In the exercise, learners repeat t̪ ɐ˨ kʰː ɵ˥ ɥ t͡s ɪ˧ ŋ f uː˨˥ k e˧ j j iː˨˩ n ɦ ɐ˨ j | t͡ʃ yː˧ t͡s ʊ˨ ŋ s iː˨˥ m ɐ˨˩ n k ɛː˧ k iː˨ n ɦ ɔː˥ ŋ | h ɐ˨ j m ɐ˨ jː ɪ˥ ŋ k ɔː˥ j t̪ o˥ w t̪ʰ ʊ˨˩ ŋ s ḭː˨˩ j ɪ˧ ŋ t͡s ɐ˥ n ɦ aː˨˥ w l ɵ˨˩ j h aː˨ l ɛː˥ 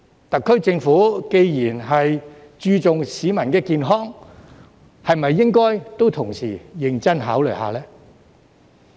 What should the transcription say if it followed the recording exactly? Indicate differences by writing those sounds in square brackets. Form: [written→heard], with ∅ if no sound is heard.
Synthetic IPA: t̪ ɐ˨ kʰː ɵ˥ ɥ t͡s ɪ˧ ŋ f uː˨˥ k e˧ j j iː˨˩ n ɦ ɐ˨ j | t͡ʃ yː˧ t͡s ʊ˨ ŋ s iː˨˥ m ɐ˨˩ n k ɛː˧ k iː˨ n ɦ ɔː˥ ŋ | h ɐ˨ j m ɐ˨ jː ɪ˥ ŋ k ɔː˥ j t̪ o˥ w t̪ʰ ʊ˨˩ ŋ s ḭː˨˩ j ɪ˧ ŋ t͡s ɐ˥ n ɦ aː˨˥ w l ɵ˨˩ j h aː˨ l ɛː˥